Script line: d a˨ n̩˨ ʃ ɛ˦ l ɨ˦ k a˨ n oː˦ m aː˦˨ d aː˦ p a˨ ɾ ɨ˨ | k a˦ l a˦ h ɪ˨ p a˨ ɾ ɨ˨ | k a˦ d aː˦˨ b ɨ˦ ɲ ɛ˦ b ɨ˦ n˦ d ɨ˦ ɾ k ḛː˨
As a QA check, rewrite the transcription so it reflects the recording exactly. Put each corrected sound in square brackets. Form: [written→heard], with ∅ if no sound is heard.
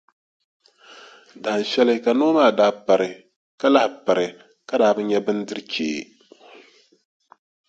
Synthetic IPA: d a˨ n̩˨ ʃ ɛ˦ l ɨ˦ k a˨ n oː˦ m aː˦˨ d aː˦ p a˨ ɾ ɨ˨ | k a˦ l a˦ h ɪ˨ p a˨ ɾ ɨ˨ | k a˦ d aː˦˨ b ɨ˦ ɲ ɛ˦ b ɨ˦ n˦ d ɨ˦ ɾ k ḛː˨